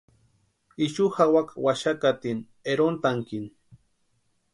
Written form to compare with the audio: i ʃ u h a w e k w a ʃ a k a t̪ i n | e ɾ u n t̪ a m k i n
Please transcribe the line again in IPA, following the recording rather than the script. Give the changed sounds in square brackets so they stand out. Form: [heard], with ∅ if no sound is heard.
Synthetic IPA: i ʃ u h a w [a] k w a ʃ a k a t̪ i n | e ɾ [o] n t̪ a [ŋ] k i n